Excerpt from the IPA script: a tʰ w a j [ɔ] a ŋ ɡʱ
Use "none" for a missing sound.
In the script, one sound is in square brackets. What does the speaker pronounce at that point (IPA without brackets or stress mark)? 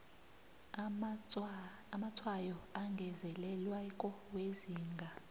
ɔ